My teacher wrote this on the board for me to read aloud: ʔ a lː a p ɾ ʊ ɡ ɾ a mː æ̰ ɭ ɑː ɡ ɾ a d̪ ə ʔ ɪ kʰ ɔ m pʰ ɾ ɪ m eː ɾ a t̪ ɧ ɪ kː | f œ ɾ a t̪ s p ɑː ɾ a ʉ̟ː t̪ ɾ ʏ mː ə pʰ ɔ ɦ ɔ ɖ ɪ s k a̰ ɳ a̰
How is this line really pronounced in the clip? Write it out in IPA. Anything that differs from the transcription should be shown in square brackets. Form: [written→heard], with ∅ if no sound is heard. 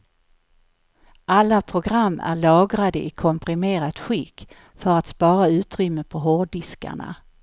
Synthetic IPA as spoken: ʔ a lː a [p→pʰ] ɾ ʊ ɡ ɾ a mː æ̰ ɭ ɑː ɡ ɾ a d̪ ə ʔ ɪ kʰ ɔ m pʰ ɾ ɪ m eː ɾ a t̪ ɧ ɪ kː | f œ ɾ a t̪ s p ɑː ɾ a ʉ̟ː t̪ ɾ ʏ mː ə pʰ ɔ ɦ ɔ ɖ ɪ s k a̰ ɳ a̰

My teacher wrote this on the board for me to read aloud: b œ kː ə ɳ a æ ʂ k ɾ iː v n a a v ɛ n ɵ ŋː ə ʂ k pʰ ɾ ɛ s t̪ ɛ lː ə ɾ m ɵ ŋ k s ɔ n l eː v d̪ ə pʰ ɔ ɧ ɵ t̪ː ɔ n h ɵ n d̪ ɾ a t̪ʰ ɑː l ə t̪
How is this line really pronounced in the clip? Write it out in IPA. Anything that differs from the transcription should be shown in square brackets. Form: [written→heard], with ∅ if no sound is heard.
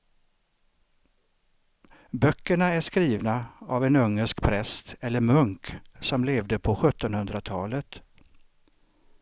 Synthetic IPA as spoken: b œ kː ə ɳ a æ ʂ k ɾ iː v n a a v ɛ n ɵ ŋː ə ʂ k pʰ ɾ ɛ s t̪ ɛ lː ə ɾ m ɵ ŋ k s ɔ [n→m] l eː v d̪ ə pʰ ɔ ɧ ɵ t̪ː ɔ n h ɵ n d̪ ɾ a t̪ʰ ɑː l ə t̪

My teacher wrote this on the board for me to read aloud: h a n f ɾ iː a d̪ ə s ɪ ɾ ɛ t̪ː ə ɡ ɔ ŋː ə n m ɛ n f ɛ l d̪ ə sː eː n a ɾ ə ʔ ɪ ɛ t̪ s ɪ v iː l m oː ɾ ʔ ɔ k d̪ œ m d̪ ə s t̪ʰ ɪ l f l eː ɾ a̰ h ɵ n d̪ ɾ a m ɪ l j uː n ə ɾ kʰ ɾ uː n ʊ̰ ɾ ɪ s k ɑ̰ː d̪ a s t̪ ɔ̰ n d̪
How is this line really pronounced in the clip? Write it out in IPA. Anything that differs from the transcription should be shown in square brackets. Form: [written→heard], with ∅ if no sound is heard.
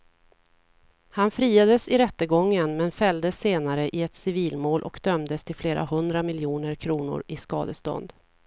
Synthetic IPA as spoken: h a n f ɾ iː a d̪ ə s ɪ ɾ ɛ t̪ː ə ɡ ɔ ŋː ə n m ɛ n f ɛ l d̪ ə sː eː n a ɾ ə ʔ ɪ ɛ t̪ s ɪ v iː l m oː [ɾ→l] ʔ ɔ k d̪ œ m d̪ ə s t̪ʰ ɪ l f l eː ɾ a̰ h ɵ n d̪ ɾ a m ɪ l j uː n ə ɾ kʰ ɾ uː n ʊ̰ ɾ ɪ s k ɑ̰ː d̪ [a→ə] s t̪ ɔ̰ n d̪

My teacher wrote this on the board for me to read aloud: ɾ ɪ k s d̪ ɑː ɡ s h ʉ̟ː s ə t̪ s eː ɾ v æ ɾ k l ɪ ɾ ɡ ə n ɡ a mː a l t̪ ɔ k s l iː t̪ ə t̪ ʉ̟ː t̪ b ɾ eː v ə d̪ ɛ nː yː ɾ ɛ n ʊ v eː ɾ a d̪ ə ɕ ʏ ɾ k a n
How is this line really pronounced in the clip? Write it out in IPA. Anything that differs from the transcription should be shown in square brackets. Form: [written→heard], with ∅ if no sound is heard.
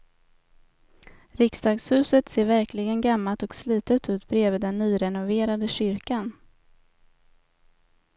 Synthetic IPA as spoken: ɾ ɪ k s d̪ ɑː ɡ s h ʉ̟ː s ə t̪ s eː ɾ v æ ɾ k l ɪ [ɾ→∅] ɡ ə n ɡ a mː a l t̪ ɔ k s l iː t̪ ə t̪ ʉ̟ː t̪ b ɾ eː v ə d̪ ɛ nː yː ɾ ɛ n ʊ v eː ɾ a d̪ ə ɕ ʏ ɾ k a n

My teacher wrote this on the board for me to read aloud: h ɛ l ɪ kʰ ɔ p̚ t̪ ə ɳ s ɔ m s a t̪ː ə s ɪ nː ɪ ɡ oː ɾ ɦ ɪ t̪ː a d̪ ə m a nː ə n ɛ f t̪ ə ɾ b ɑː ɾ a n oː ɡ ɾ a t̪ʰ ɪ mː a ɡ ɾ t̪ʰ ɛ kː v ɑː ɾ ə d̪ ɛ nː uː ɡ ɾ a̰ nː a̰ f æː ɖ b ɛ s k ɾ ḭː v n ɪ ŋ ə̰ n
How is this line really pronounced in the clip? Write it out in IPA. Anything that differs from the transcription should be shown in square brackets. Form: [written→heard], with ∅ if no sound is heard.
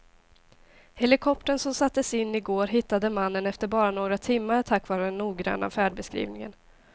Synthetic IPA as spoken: h ɛ l ɪ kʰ ɔ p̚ t̪ ə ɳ s ɔ m s a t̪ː ə s ɪ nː ɪ ɡ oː ɾ ɦ ɪ t̪ː a d̪ ə m a nː ə n ɛ f t̪ ə ɾ b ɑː ɾ a n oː ɡ ɾ a t̪ʰ ɪ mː a [ɡ→∅] ɾ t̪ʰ [ɛ→a] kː v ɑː ɾ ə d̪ ɛ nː uː ɡ ɾ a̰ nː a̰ f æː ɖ b ɛ s k ɾ ḭː v n ɪ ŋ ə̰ n

